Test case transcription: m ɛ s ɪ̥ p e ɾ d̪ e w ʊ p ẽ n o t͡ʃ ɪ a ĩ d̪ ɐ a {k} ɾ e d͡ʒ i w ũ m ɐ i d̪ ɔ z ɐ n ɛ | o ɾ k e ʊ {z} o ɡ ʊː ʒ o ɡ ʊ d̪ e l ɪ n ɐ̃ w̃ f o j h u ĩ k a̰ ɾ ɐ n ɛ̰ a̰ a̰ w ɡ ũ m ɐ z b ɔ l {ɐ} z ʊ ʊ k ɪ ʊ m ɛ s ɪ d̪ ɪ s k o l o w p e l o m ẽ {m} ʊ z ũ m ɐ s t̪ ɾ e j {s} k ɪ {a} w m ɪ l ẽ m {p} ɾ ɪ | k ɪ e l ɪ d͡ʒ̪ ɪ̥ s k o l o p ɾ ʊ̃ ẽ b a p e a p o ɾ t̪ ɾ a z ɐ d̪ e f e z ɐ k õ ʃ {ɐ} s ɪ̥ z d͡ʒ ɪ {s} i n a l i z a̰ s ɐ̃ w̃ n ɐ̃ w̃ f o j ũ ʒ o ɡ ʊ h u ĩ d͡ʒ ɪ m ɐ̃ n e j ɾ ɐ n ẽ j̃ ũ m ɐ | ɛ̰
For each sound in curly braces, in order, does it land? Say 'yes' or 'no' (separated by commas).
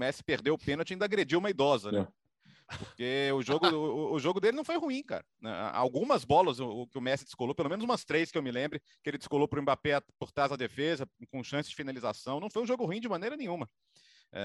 no, no, yes, no, yes, no, no, no, no